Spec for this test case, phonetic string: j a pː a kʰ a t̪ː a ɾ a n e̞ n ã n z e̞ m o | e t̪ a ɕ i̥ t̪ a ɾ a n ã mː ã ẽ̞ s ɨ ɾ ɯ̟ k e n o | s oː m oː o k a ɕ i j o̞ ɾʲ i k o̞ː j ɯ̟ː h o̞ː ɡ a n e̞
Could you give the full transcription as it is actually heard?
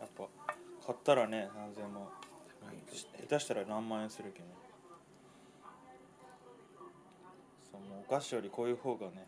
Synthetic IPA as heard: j a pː a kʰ a t̪ː a ɾ a n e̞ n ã n z e̞ m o | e t̪ a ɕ i̥ t̪ a ɾ a n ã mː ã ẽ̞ s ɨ ɾ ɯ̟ k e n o | s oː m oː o k a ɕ i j o̞ ɾʲ i k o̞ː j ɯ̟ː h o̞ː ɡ a n e̞